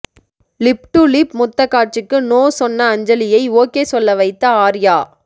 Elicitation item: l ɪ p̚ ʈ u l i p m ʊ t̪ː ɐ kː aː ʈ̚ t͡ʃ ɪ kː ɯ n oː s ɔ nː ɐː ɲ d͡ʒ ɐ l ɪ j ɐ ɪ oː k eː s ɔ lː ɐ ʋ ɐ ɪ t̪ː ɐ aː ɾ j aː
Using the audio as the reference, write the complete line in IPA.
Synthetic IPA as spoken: l ɪ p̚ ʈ u l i p m ʊ t̪ː ɐ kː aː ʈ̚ t͡ʃ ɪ kː ɯ n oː s ɔ nː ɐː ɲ d͡ʒ ɐ l ɪ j ɐ ɪ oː k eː s ɔ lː ɐ ʋ ɐ ɪ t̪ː ɐ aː ɾ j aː